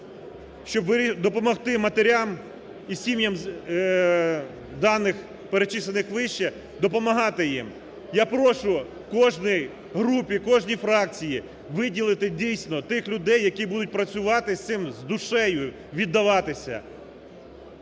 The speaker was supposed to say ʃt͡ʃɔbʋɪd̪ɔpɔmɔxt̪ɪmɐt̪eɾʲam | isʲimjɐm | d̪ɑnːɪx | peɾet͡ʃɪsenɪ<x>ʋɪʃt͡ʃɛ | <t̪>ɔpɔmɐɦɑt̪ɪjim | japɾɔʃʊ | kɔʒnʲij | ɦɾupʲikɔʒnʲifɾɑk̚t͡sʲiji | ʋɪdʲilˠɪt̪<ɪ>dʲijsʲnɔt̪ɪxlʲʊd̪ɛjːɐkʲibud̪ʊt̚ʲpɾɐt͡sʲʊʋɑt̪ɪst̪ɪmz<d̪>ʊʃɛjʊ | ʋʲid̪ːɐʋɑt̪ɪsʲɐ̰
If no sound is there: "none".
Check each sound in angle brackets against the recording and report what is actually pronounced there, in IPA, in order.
x, d̪, ɪ, d̪

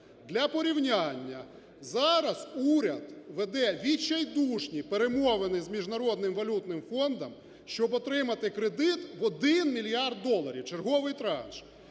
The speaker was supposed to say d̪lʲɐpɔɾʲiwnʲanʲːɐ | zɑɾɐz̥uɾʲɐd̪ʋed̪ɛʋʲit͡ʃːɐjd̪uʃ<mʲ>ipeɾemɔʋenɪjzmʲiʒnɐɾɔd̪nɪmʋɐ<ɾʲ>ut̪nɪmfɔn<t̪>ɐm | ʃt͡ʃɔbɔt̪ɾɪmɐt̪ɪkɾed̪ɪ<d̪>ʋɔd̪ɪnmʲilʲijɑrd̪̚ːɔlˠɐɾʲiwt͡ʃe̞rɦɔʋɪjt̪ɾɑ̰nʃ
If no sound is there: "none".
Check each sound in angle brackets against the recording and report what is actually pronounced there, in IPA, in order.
nʲ, lʲ, d̪, t̪

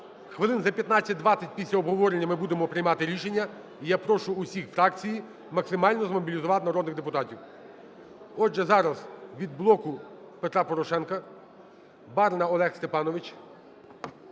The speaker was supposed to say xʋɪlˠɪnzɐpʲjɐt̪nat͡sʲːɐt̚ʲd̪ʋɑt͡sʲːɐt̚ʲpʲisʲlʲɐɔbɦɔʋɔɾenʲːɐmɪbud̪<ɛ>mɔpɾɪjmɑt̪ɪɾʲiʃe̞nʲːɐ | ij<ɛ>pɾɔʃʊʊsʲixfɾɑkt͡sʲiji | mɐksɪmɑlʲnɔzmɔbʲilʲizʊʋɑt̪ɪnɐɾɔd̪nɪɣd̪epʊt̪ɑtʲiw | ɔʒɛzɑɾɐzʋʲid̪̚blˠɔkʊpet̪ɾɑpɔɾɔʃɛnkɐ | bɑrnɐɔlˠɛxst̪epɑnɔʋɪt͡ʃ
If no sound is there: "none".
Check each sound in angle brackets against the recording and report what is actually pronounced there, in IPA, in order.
e, a

